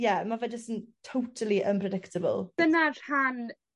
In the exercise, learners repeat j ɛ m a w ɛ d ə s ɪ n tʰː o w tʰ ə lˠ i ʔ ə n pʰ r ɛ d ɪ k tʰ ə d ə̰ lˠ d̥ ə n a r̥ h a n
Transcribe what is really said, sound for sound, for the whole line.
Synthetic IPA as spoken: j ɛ m a v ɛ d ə s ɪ n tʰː o w tʰ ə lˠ i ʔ ə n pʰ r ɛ d ɪ k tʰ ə b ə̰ lˠ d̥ ə n a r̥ h a n

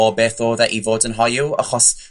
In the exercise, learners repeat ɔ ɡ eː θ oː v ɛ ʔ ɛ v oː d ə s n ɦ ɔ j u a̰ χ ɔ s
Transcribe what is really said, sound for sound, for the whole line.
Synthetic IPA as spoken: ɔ b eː θ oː ð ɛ ʔ i v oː d ə n ɦ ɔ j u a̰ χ ɔ s

